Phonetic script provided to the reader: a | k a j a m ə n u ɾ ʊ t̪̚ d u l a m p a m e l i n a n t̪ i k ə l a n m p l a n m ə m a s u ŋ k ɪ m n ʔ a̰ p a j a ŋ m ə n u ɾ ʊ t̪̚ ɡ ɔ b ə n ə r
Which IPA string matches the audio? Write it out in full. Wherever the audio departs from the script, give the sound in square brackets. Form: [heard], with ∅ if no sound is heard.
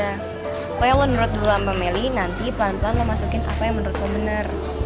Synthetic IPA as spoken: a | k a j a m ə n u ɾ ʊ t̪̚ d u l a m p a m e l i n a n t̪ i [p] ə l a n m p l a n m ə m a s u [∅] k ɪ [∅] n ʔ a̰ p a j a ŋ m ə n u ɾ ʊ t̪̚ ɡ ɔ b ə n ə r

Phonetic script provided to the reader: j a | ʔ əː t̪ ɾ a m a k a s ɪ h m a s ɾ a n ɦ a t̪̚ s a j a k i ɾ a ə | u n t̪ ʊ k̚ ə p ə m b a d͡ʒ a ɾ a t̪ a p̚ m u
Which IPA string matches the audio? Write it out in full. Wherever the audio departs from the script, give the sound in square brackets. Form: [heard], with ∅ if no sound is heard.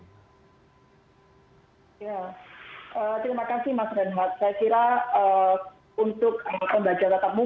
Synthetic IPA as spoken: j a | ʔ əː t̪ ɾ [i] m a k a s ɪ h m a s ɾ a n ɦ a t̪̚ s a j a k i ɾ a ə | u n t̪ ʊ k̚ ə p ə m b a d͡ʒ a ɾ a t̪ a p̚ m u

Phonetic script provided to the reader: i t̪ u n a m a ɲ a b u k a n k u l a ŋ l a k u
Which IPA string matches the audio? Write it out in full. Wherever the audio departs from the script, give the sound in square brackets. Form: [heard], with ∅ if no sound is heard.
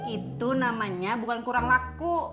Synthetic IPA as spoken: i t̪ u n a m a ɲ a b u k a n k u [ɾ] a ŋ l a k u

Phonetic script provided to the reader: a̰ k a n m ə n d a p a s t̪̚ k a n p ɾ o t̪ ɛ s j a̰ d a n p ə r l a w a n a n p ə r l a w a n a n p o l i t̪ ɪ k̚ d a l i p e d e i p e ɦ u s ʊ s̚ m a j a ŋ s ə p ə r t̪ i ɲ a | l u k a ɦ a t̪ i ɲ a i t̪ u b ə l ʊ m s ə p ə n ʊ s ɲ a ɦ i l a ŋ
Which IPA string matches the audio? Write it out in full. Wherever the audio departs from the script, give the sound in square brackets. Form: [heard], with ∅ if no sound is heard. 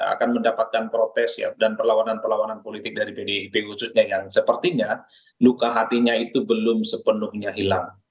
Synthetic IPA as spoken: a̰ k a n m ə n d a p a [∅] t̪̚ k a n p ɾ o t̪ ɛ s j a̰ d a n p ə r l a w a n a n p ə r l a w a n a n p o l i t̪ ɪ k̚ d a [ɾ] i p e d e i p e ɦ u s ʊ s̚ [ɲ] a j a ŋ s ə p ə r t̪ i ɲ a | l u k a ɦ a t̪ i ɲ a i t̪ u b ə l ʊ m s ə p ə n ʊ [h] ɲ a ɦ i l a ŋ

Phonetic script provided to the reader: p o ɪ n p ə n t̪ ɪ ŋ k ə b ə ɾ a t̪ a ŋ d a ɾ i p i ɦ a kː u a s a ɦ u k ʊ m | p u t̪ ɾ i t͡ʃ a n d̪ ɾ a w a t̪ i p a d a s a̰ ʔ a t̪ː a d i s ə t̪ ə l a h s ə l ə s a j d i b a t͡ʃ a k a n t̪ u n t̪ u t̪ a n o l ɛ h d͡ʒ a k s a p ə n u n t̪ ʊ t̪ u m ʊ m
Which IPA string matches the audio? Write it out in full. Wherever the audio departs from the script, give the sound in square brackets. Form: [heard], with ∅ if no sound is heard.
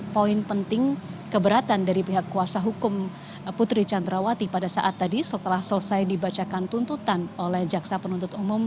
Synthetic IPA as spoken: p o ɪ n p ə n t̪ ɪ ŋ k ə b ə ɾ a t̪ a [n] d a ɾ i p i ɦ a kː u a s a ɦ u k ʊ m | p u t̪ ɾ i t͡ʃ a n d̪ ɾ a w a t̪ i p a d a s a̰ ʔ a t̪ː a d i s ə t̪ ə l a h s ə l ə s a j d i b a t͡ʃ a k a n t̪ u n t̪ u t̪ a n o l ɛ h d͡ʒ a k s a p ə n u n t̪ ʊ t̪ u m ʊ m

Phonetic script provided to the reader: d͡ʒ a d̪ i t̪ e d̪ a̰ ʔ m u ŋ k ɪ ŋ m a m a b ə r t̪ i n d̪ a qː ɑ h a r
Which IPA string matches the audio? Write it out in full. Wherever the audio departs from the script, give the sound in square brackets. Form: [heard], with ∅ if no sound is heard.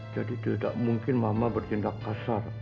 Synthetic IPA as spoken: d͡ʒ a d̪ i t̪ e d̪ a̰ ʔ m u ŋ k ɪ [n] m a m a b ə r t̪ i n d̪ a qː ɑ [s] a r

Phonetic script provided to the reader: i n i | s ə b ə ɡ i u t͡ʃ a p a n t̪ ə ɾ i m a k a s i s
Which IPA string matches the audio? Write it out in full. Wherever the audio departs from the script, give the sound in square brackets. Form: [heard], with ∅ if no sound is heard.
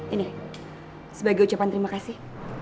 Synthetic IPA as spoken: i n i | s ə b [a] ɡ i u t͡ʃ a p a n t̪ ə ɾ i m a k a s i [h]

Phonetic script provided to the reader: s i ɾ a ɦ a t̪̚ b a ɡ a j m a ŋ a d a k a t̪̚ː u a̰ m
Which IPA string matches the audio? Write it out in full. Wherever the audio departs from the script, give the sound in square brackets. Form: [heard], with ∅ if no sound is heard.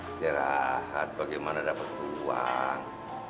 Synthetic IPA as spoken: s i ɾ a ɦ a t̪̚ b a ɡ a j m a [n] a d a [p] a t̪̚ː u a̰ [ŋ]

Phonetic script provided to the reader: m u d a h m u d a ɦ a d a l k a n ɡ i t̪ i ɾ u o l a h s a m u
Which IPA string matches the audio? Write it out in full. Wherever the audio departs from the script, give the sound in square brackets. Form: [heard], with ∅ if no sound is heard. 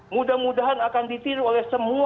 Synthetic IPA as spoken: m u d a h m u d a ɦ a [n] a [∅] k a n [d] i t̪ i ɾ u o l [ɛ] h s [ə] m u

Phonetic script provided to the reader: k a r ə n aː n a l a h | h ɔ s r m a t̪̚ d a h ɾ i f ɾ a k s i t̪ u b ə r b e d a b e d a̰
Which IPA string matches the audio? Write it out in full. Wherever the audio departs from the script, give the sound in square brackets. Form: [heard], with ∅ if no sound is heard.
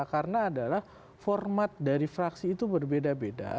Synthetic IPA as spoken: k a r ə n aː [d] a l a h | [f] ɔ [∅] r m a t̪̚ d a [∅] ɾ i f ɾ a k s [iː] t̪ u b ə r b e d a b e d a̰

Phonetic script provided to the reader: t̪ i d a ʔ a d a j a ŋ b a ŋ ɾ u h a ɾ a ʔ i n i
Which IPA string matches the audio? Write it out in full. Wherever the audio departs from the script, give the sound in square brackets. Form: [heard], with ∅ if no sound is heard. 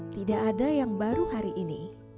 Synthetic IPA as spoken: t̪ i d a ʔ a d a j a ŋ b a [∅] ɾ u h a ɾ [i] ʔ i n i

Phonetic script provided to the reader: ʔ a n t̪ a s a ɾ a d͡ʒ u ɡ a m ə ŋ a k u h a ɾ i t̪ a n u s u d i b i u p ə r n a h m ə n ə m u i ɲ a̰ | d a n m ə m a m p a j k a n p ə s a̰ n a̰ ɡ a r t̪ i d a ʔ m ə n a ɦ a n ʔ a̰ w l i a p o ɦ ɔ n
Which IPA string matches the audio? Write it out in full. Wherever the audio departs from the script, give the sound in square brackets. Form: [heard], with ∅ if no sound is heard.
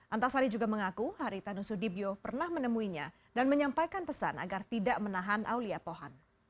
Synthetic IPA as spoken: ʔ a n t̪ a s a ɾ [i] d͡ʒ u ɡ a m ə ŋ a k u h a ɾ i t̪ a n u s u d i b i [o] p ə r n a h m ə n ə m u i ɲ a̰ | d a n m ə [ɲ] a m p a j k a n p ə s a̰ n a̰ ɡ a r t̪ i d a ʔ m ə n a ɦ a n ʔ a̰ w l i a p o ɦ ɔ n

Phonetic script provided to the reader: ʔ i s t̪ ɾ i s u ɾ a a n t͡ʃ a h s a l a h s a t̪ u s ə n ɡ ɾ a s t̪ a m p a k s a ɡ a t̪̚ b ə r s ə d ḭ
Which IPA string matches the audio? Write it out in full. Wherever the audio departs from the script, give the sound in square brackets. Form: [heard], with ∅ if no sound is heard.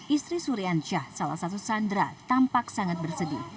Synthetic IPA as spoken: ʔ i s t̪ ɾ i s u ɾ [i] a n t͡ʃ a h s a l a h s a t̪ u s [a] n [d] ɾ a [∅] t̪ a m p a k s a [ŋ] a t̪̚ b ə r s ə d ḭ

